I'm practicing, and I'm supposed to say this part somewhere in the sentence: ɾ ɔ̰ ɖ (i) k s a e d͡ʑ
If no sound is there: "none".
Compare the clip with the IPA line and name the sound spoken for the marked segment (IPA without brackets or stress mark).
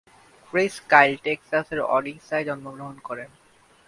i